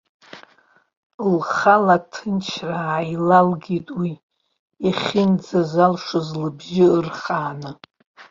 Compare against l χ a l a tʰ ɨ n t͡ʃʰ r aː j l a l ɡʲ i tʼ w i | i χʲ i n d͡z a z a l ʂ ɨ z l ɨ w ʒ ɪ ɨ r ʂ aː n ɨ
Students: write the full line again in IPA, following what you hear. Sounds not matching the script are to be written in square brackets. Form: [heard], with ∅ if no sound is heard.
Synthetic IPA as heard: l χ a l a tʰ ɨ n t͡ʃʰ r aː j l a l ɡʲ i tʼ w i | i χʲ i n d͡z a z a l ʂ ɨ z l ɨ [b] ʒ ɪ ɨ r [χ] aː n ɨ